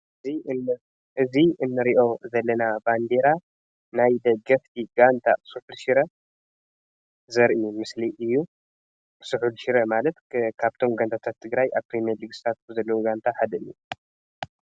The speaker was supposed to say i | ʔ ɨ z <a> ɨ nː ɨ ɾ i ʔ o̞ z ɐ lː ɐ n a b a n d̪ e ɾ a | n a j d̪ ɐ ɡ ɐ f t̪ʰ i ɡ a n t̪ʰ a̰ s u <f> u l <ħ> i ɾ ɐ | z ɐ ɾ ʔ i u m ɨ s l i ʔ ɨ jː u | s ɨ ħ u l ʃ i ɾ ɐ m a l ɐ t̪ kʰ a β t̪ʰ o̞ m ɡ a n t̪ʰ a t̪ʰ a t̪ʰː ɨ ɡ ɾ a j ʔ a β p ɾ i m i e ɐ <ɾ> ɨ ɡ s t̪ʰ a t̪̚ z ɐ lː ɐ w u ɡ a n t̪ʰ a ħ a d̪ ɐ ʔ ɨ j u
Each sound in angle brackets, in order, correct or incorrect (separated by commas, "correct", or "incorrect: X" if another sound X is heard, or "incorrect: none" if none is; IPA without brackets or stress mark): incorrect: i, incorrect: ħ, incorrect: ʃ, incorrect: l